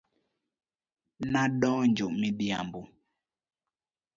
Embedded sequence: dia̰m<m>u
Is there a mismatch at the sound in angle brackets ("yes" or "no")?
yes